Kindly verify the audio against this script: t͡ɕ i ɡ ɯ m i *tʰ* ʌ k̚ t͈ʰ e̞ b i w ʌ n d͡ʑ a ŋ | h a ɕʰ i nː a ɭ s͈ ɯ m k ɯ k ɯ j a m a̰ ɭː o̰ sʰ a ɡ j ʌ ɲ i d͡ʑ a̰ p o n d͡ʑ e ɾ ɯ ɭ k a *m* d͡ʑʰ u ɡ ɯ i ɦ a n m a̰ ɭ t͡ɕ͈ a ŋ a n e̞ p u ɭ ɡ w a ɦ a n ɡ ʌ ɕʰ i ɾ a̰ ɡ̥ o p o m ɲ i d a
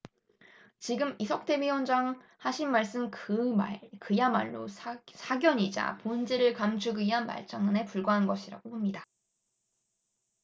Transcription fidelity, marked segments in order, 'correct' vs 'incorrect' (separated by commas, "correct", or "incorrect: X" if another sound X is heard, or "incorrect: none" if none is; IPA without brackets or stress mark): incorrect: sʰ, correct